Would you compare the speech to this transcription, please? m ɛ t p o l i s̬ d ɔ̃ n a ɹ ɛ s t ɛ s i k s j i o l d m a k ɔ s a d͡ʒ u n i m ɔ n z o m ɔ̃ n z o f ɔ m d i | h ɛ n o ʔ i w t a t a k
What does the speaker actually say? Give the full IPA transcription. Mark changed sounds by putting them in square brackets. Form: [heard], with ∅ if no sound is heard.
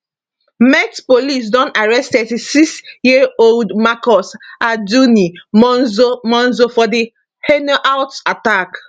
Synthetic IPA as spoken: m ɛ t p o l i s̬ d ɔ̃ n a ɹ ɛ s t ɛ s i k s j i o l d m a k ɔ s a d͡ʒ u n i m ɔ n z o m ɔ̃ n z o f ɔ [∅] d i | h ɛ n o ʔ [a] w t a t a k